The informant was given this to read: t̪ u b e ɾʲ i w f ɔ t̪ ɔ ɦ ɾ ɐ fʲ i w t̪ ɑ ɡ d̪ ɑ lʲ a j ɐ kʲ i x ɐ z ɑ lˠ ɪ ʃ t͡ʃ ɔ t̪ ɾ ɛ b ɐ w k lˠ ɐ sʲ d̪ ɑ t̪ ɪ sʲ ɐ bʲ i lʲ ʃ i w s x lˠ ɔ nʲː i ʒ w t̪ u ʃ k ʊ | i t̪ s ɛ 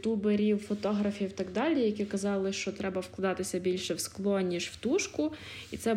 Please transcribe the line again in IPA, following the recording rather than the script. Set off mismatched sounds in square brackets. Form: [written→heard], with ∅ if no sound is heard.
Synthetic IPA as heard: t̪ u b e ɾʲ i w f ɔ t̪ ɔ ɦ ɾ ɐ fʲ i w t̪ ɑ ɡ d̪ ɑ lʲ [a→i] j ɐ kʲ i [x→k] ɐ z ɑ lˠ ɪ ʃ t͡ʃ ɔ t̪ ɾ ɛ b ɐ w k lˠ ɐ [sʲ→∅] d̪ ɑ t̪ ɪ sʲ ɐ bʲ i lʲ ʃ [i→ɛ] w s [x→k] lˠ ɔ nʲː i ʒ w t̪ u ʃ k ʊ | i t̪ s ɛ